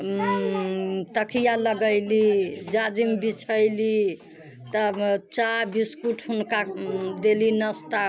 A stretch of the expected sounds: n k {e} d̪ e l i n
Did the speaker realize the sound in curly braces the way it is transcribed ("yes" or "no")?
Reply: no